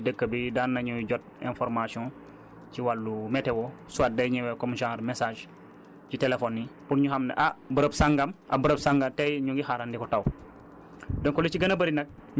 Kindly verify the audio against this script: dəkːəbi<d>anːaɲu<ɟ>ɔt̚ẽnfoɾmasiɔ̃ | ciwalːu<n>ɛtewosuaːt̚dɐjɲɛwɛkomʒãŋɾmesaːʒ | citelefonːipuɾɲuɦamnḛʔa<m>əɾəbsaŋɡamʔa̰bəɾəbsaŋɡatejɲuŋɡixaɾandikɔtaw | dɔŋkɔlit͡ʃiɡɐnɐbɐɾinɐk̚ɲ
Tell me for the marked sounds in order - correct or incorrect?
correct, correct, incorrect: m, incorrect: b

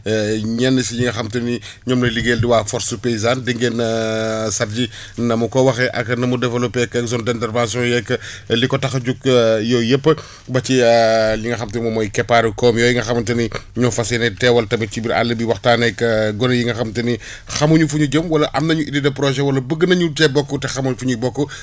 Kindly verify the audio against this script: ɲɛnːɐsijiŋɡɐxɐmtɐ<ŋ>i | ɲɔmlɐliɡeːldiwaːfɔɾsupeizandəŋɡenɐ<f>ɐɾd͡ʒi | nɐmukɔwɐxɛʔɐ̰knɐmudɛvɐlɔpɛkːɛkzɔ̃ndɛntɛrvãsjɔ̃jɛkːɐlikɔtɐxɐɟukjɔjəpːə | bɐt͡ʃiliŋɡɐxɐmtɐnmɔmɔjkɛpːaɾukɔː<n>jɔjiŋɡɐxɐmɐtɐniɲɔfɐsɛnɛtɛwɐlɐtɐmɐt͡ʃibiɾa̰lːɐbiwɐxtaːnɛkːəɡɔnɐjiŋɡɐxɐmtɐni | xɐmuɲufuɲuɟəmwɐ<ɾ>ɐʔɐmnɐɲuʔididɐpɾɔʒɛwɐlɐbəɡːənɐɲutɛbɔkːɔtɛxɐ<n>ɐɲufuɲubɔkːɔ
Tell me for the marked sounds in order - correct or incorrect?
incorrect: n, incorrect: s, incorrect: m, incorrect: l, incorrect: m

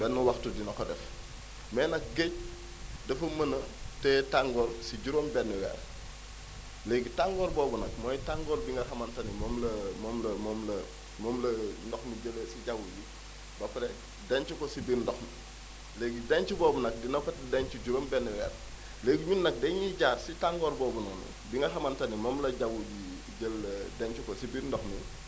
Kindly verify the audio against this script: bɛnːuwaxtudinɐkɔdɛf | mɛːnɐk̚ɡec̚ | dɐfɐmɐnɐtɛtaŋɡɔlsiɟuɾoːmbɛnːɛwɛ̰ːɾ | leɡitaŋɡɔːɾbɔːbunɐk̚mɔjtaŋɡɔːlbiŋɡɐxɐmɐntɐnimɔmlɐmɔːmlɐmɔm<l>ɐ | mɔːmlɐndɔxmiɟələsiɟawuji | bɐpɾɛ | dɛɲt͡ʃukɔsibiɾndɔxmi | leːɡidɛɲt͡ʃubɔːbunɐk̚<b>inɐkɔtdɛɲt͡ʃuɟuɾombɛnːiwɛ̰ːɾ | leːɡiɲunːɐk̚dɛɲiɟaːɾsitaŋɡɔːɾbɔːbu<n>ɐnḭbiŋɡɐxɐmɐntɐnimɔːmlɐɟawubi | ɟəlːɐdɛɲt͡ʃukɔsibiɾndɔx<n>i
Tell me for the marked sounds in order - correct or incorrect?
correct, incorrect: d, correct, incorrect: m

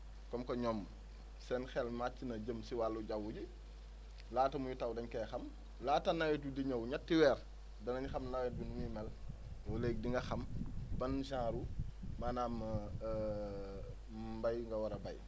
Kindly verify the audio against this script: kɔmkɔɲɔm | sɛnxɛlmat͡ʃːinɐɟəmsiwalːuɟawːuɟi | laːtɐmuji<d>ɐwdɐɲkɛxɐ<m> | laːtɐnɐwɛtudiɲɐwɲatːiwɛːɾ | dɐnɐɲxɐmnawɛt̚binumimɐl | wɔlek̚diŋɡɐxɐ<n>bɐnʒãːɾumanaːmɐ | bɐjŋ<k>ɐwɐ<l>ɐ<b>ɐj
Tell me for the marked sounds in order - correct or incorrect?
incorrect: t, correct, incorrect: m, incorrect: ɡ, incorrect: ɾ, correct

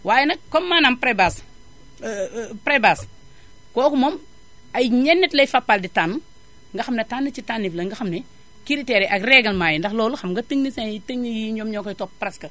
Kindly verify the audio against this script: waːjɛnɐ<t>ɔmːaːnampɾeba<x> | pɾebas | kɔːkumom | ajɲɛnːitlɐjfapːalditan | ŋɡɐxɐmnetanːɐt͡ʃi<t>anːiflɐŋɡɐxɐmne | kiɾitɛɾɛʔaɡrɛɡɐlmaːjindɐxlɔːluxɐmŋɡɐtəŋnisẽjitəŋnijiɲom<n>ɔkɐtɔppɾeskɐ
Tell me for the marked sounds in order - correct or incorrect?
incorrect: k, incorrect: s, correct, incorrect: ɲ

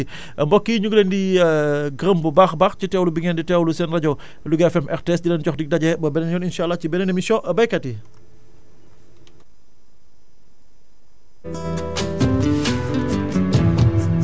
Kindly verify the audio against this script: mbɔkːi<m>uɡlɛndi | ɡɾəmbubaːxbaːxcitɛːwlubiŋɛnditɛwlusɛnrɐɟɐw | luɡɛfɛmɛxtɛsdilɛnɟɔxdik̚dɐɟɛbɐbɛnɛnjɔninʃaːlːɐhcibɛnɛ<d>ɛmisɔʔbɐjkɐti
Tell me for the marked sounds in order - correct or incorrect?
incorrect: ɲ, incorrect: n

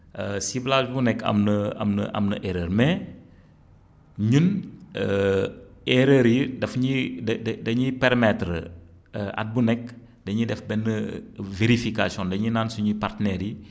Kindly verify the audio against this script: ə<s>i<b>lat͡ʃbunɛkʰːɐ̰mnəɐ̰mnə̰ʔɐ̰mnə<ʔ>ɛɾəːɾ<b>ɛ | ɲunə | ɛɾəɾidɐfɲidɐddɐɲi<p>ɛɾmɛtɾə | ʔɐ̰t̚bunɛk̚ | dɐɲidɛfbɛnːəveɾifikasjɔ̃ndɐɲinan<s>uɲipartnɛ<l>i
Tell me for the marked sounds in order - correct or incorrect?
correct, correct, correct, incorrect: m, correct, correct, incorrect: ɾ

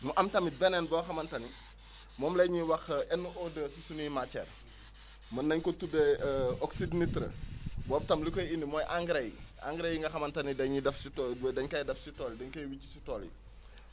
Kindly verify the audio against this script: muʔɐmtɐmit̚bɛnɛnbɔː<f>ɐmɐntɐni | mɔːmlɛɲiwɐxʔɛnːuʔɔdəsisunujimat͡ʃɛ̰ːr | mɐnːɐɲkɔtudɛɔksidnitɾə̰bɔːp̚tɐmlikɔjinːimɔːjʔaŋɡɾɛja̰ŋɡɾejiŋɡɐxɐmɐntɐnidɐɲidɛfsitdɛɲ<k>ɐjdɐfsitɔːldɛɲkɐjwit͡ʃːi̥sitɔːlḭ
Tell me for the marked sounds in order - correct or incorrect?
incorrect: x, correct

